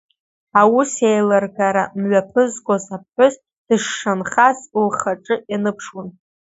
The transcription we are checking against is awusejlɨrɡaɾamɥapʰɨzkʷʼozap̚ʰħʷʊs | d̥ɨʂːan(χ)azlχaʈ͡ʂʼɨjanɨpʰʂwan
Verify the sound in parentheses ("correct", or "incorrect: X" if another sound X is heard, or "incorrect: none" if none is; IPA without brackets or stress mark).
correct